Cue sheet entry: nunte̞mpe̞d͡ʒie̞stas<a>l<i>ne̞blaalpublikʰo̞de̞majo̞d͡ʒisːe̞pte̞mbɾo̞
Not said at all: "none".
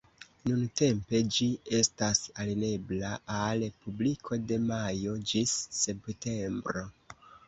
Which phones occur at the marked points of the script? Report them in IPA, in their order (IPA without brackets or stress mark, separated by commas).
a, i